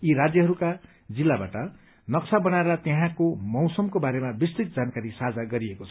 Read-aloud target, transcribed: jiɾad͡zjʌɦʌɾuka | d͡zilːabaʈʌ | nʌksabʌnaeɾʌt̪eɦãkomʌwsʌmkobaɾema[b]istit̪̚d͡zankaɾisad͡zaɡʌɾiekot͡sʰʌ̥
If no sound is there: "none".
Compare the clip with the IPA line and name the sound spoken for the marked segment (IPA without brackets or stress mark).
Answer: b